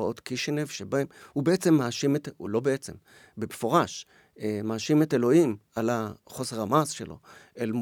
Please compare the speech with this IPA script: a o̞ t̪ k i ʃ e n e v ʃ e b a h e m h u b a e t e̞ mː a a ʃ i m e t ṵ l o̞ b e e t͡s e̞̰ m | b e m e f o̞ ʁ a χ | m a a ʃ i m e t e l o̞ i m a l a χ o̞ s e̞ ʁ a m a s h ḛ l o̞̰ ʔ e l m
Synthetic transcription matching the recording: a o̞ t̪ k i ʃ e n e v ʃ e b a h e m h u b e e t͡s e̞ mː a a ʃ i m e t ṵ l o̞ b e e t͡s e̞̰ m | b e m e f o̞ ʁ a ʃ | m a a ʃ i m e t e l o̞ i m a l a χ o̞ s e̞ ʁ a m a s ʃ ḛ l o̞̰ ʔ e l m